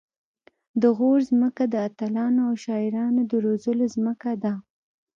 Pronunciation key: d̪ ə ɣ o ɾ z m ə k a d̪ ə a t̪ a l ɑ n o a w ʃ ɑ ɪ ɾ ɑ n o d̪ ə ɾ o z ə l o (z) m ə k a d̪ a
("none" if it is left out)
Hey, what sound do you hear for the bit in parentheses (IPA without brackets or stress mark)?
z